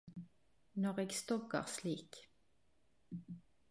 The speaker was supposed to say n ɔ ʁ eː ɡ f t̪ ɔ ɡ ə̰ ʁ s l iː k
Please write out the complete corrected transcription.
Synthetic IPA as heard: n ɔ ʁ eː ɡ s t̪ ɔ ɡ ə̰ ʁ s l iː k